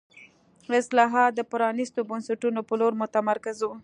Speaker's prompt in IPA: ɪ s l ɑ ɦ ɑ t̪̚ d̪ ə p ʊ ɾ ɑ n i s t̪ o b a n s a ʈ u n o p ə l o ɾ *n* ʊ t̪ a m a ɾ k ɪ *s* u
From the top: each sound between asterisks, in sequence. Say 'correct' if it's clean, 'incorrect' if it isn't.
incorrect: m, incorrect: z

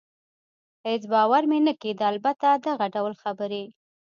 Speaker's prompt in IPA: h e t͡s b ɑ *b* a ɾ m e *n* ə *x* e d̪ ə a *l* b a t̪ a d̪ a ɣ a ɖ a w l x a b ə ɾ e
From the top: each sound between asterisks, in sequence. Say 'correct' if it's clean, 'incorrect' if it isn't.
incorrect: w, correct, incorrect: k, correct

